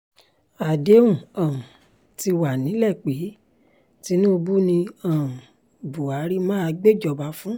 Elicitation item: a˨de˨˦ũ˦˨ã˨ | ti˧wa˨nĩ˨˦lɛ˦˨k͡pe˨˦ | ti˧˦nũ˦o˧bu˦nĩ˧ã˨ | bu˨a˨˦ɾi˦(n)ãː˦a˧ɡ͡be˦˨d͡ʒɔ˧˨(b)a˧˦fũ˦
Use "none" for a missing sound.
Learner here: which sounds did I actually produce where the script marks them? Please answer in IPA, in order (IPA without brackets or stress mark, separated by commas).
m, b